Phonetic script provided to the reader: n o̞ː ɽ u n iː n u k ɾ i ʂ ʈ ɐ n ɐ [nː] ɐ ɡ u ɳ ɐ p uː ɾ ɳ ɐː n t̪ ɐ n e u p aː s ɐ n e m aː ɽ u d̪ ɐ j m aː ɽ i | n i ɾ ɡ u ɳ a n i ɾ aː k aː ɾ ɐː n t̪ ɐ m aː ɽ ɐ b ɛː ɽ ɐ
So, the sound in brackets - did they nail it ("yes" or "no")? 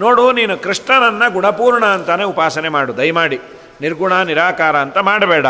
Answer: yes